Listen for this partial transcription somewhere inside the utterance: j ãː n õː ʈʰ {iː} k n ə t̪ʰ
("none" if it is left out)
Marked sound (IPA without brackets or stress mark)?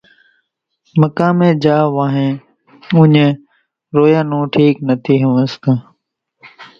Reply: iː